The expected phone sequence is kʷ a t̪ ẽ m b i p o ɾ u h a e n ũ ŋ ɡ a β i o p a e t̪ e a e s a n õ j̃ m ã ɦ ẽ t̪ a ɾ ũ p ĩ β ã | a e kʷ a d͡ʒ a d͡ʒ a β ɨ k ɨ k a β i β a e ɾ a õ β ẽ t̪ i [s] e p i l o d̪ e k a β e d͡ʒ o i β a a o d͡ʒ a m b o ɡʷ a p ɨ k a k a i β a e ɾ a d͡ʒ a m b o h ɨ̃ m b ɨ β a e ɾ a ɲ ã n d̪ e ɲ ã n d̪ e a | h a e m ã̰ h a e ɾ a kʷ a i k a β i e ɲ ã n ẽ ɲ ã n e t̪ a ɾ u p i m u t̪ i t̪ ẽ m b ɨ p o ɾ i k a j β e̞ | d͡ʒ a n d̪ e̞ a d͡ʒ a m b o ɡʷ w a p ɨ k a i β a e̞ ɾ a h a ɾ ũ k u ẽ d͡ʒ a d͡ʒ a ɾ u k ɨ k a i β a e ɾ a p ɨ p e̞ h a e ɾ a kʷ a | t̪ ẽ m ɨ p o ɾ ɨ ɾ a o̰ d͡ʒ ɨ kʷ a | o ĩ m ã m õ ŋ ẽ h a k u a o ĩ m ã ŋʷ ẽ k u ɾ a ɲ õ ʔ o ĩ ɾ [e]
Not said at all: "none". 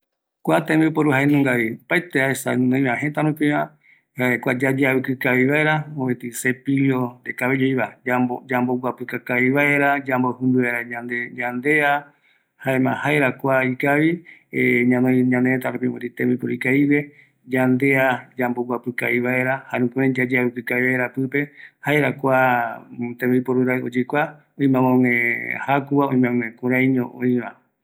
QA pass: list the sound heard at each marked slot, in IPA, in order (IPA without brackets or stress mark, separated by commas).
s, a